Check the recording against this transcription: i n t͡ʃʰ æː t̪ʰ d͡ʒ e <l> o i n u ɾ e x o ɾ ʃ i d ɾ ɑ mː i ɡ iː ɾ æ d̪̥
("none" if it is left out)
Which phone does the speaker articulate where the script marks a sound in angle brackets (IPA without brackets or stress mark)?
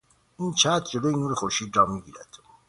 l